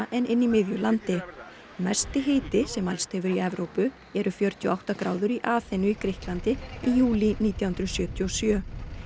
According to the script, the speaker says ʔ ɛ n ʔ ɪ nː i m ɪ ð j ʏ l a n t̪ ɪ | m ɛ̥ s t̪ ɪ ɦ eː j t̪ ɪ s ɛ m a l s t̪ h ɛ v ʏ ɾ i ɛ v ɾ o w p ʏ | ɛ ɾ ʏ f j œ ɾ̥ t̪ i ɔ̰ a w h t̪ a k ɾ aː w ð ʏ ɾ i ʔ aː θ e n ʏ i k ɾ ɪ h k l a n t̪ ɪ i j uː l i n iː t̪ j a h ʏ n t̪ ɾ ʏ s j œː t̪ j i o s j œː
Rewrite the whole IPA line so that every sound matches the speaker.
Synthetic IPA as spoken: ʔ ɛ n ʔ ɪ nː i m ɪ ð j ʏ l a n t̪ ɪ | m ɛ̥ s t̪ ɪ ɦ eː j t̪ ɪ s ɛ m a l s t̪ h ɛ v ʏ ɾ i ɛ v ɾ o w p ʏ | ɛ ɾ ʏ f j œ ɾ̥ t̪ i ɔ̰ a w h t̪ a k ɾ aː w ð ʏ ɾ i ʔ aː θ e n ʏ i k ɾ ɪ h k l a n t̪ ɪ i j uː l i n iː t̪ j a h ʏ n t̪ ɾ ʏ s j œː t̪ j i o s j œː